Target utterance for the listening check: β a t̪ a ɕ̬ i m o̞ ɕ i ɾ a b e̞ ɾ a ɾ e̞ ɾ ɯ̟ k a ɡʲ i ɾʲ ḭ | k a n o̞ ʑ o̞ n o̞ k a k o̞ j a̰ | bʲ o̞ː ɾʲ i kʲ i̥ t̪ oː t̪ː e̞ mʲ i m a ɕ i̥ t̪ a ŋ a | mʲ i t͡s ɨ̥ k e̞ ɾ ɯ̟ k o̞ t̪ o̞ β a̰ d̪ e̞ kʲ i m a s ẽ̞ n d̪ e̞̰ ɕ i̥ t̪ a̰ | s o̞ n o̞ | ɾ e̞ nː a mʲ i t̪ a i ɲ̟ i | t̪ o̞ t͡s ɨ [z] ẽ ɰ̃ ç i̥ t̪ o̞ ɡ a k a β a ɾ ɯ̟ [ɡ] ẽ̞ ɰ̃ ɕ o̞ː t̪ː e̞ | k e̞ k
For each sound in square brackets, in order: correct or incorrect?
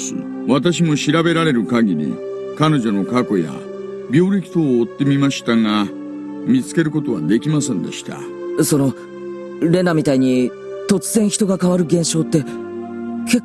correct, correct

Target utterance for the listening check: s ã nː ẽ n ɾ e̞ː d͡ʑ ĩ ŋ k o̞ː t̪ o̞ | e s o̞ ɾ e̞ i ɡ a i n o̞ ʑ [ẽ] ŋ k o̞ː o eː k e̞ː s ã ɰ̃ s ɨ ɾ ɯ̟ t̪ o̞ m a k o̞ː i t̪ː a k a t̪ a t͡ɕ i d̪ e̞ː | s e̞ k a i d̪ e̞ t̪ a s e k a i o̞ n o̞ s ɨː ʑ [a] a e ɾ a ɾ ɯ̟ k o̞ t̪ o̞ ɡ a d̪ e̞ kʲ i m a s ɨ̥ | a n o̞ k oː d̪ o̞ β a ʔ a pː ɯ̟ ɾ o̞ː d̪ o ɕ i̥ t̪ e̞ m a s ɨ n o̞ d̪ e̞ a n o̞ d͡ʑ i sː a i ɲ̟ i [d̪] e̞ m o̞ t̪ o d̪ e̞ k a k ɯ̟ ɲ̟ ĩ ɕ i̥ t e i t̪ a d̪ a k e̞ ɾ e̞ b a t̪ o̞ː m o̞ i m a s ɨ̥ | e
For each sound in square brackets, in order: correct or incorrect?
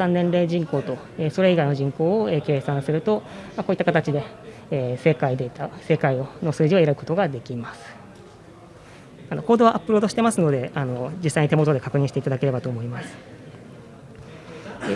incorrect: ĩ, incorrect: i, incorrect: t̪

